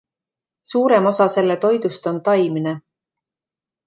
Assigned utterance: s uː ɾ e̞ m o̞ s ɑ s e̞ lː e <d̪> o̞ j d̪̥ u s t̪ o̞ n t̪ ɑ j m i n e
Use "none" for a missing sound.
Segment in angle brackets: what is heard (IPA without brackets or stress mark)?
t̪